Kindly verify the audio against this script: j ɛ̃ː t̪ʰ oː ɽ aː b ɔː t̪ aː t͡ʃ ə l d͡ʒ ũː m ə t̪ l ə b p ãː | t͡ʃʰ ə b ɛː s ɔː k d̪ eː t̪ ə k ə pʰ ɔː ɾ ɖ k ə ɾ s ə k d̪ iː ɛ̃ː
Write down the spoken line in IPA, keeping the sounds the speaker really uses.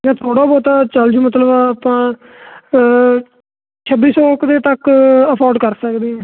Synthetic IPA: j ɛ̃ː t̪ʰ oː ɽ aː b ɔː t̪ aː t͡ʃ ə l d͡ʒ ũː m ə t̪ l ə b p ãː | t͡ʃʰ ə b iː s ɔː k d̪ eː t̪ ə k ə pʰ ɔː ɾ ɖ k ə ɾ s ə k d̪ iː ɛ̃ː